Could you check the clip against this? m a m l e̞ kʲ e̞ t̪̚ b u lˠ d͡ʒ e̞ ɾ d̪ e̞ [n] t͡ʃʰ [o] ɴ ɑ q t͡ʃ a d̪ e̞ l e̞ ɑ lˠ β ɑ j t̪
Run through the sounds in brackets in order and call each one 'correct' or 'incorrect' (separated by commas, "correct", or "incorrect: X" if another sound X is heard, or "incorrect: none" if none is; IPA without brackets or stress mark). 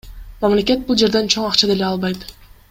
correct, correct